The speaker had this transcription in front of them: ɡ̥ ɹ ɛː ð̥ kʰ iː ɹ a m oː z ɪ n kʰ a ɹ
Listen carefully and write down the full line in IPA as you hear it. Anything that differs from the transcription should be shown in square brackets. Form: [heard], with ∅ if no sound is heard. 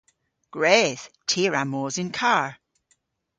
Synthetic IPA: ɡ̥ ɹ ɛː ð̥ [tʰ] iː ɹ a m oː z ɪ n kʰ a ɹ